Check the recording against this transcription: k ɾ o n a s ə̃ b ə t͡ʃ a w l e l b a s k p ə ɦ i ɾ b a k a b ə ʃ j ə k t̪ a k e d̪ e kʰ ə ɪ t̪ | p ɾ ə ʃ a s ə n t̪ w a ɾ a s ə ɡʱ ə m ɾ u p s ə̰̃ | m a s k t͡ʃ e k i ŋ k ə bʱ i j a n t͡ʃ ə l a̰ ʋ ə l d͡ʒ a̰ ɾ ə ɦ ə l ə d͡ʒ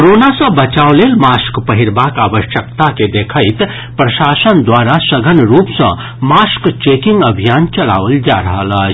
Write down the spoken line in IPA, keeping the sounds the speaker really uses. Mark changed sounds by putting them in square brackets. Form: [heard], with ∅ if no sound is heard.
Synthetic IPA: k ɾ o n a s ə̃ b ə t͡ʃ a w l e l [m] a s k p ə ɦ i ɾ b a k a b ə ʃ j ə k t̪ a k e d̪ e kʰ ə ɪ t̪ | p ɾ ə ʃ a s ə n [d̪] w a ɾ a s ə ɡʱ ə [n] ɾ u p s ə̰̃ | m a s k t͡ʃ e k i ŋ [ɡ] ə bʱ i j a n t͡ʃ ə l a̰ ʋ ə l d͡ʒ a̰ ɾ ə ɦ ə l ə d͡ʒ